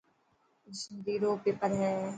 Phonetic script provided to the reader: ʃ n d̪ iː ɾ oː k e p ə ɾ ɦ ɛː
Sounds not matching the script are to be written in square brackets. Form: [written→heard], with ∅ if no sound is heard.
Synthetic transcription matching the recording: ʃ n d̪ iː ɾ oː [k→p] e p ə ɾ ɦ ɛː